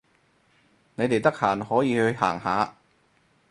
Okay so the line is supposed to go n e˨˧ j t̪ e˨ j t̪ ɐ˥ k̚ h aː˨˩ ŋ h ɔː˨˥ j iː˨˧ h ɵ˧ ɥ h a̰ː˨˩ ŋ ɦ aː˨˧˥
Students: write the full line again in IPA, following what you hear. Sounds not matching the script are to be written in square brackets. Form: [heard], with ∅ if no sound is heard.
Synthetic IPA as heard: n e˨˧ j t̪ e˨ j t̪ ɐ˥ k̚ h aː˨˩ [n] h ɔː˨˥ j iː˨˧ h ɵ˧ ɥ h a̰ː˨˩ ŋ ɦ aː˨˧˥